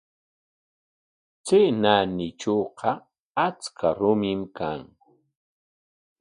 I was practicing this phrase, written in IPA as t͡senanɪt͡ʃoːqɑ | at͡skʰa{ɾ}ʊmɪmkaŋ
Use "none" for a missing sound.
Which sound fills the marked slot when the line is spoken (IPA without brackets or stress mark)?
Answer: ɾ